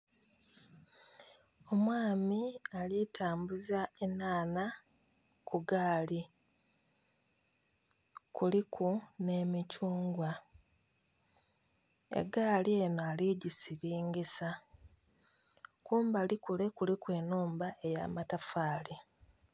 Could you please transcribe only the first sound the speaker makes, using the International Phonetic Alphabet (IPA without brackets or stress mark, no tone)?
o̞